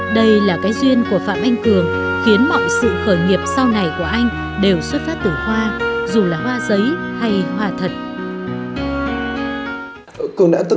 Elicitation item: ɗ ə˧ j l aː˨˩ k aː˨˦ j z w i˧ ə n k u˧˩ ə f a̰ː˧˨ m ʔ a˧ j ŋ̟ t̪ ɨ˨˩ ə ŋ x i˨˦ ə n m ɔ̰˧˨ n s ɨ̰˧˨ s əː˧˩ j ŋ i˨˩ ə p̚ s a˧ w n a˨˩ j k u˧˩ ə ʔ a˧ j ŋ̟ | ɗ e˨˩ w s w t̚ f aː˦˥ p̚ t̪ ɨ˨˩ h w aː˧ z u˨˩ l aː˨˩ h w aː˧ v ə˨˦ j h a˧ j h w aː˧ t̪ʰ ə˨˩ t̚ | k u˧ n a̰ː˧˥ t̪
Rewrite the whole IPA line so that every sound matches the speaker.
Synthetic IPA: ɗ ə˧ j l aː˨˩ k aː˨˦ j z w i˧ ə n k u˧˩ ə f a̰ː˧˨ m ʔ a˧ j ŋ̟ t̪ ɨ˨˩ ə ŋ x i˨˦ ə n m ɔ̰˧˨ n s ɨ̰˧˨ x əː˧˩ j ŋ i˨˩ ə p̚ s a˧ w n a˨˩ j k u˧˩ ə ʔ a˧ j ŋ̟ | ɗ e˨˩ w s w t̚ f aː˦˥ p̚ t̪ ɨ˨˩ h w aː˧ z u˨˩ l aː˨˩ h w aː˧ z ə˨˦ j h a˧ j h w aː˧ t̪ʰ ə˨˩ t̚ | k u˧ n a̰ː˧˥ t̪